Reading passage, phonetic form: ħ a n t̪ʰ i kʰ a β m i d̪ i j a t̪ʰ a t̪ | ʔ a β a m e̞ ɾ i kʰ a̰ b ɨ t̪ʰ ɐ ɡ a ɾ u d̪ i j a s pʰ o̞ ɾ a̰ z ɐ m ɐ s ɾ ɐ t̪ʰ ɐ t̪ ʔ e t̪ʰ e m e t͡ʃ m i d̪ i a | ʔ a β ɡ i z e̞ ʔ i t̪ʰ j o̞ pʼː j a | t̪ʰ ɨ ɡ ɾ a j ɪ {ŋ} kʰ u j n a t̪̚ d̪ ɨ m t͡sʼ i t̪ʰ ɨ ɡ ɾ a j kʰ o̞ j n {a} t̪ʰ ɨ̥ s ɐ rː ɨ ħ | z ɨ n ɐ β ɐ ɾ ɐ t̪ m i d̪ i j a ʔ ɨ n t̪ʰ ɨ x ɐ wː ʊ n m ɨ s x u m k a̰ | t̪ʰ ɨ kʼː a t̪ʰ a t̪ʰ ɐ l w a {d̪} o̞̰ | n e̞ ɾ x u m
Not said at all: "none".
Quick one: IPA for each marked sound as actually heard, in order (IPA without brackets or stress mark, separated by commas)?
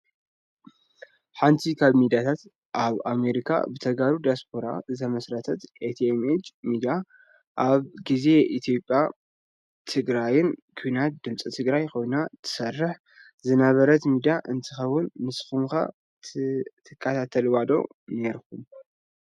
n, a, d̪